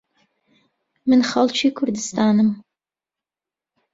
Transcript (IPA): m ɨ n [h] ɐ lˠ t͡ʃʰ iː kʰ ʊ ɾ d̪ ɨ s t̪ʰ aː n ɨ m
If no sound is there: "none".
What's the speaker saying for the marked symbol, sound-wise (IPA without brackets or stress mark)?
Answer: χ